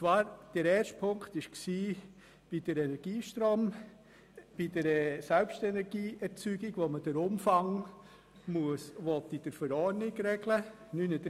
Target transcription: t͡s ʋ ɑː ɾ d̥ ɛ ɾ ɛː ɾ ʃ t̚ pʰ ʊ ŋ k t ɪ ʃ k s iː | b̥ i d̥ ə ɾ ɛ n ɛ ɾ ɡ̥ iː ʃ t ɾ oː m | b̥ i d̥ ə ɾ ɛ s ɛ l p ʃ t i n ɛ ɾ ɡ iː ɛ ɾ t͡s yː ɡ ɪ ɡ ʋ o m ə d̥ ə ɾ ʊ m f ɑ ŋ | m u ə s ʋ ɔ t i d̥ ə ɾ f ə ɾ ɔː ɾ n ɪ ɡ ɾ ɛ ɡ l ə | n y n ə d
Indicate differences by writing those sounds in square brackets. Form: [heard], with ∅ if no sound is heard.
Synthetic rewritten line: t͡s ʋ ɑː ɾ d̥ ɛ ɾ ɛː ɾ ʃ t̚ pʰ ʊ ŋ k t ɪ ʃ k s iː | b̥ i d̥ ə ɾ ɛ n ɛ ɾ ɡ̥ iː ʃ t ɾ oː m | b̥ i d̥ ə ɾ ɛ s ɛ l p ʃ t [ɛ] n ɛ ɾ ɡ iː ɛ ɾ t͡s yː ɡ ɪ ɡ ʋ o m ə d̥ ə ɾ ʊ m f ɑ ŋ | m u ə s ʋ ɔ t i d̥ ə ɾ f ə ɾ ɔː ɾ n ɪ ɡ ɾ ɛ ɡ l ə | n y n ə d